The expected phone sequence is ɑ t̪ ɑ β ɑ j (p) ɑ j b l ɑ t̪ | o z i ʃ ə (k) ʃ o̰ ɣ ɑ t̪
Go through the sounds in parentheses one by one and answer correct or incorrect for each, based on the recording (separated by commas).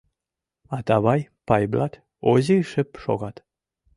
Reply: correct, incorrect